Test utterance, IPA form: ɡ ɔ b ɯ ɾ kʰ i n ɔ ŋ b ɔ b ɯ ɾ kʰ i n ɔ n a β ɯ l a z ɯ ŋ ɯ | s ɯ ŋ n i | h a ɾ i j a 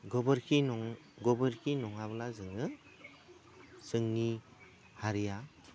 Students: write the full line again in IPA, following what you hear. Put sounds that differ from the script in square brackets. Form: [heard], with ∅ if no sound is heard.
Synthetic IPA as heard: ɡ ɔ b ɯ ɾ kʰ i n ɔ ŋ [ɡ] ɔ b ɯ ɾ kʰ i n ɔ [ŋ] a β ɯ l a z ɯ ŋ ɯ | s ɯ ŋ n i | h a ɾ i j a